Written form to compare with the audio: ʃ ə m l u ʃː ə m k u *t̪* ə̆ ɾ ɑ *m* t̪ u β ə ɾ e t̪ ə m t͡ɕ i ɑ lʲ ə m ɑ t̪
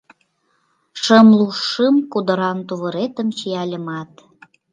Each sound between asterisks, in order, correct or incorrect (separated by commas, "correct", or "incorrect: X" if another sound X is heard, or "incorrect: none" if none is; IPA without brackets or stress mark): incorrect: d̪, incorrect: n